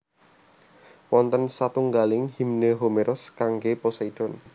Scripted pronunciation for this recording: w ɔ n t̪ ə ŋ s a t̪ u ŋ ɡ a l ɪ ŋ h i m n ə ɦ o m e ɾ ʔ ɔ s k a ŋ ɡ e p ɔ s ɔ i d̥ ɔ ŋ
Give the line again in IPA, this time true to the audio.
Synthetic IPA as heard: w ɔ n t̪ ə n s a t̪ u ŋ ɡ a l ɪ ŋ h i m n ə ɦ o m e ɾ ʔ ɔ s k a ŋ ɡ e p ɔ s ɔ i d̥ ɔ n